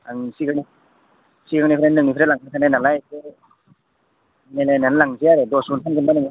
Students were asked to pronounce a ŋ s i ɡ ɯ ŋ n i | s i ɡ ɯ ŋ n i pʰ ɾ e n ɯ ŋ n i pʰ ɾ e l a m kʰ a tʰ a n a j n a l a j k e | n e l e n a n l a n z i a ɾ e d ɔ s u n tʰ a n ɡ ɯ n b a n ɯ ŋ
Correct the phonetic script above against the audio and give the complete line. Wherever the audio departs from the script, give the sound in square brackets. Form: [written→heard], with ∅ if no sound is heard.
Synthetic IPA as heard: a ŋ s i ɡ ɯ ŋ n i | s i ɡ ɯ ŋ n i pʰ ɾ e n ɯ ŋ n i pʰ ɾ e l a [m→ŋ] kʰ a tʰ a n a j n a l a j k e | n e l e n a n l a [n→ŋ] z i a ɾ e d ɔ s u n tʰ a n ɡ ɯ n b a n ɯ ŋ